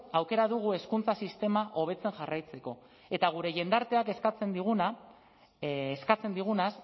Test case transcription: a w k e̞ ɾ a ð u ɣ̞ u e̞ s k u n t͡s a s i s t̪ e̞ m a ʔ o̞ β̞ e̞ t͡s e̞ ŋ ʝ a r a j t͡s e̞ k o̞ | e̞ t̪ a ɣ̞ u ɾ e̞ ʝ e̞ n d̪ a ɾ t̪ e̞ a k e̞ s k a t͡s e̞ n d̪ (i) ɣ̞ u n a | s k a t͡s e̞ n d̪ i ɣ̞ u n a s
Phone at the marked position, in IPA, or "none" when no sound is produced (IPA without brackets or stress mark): i